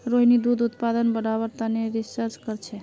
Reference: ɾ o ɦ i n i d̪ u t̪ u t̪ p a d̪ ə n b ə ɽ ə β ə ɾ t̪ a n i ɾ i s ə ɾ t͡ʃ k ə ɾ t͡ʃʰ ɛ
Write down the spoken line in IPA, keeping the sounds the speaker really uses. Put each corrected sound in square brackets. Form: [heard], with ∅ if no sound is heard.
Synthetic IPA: ɾ o ɦ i n i d̪ u [d̪] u t̪ p a d̪ ə n b ə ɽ [a] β ə ɾ t̪ a n [e] ɾ i s ə ɾ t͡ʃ k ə ɾ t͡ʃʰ ɛ